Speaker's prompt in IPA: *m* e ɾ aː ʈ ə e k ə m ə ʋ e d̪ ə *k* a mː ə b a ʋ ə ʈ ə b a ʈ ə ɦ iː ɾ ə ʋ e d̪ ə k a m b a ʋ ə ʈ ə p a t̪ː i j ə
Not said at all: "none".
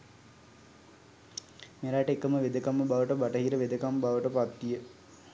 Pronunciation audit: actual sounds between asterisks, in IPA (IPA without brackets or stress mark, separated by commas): m, k